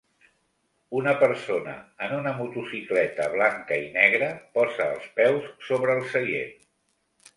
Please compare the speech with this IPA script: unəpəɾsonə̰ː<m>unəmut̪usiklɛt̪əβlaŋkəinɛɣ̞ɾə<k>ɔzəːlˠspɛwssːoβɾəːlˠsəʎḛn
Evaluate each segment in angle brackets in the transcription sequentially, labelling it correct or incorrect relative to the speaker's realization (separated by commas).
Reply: incorrect, incorrect